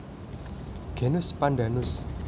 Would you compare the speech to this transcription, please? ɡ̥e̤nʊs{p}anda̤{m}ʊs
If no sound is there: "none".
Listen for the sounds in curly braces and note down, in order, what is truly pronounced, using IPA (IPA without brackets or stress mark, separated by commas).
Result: p, n